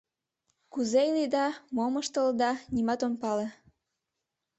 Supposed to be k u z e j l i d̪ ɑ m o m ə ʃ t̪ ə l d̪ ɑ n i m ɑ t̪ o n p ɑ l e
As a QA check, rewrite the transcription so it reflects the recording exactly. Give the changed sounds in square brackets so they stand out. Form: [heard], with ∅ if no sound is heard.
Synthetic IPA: k u z e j l i d̪ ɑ m o m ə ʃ t̪ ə l d̪ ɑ n i m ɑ t̪ o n p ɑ l e